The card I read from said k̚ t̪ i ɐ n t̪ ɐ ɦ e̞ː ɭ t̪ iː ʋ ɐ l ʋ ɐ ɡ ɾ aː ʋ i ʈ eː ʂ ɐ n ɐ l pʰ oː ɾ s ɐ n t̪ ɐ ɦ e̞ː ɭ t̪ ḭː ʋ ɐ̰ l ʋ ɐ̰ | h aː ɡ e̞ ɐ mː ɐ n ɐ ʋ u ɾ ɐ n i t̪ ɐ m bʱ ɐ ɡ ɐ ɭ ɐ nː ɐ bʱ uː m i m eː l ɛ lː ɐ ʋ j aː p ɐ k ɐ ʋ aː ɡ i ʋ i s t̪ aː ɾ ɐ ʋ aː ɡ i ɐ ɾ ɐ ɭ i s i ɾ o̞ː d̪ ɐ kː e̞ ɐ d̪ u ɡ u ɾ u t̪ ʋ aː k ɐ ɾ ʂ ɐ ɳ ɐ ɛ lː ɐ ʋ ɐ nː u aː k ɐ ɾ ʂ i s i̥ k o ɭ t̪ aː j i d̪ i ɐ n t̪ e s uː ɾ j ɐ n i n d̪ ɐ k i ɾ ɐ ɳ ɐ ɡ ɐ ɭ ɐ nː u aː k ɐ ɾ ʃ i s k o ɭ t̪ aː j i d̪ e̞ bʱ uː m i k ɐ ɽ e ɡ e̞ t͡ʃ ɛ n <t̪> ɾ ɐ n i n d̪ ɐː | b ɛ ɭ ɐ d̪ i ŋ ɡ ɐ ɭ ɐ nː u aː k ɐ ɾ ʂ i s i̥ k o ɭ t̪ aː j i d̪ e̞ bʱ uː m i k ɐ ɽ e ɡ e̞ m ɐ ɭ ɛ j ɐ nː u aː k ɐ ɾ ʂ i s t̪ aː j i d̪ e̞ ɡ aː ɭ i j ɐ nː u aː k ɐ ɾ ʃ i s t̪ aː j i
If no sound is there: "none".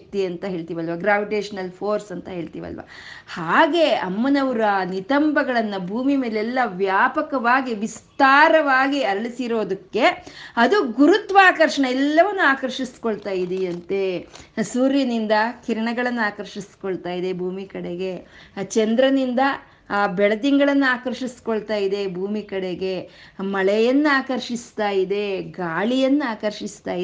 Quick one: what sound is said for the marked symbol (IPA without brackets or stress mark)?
d̪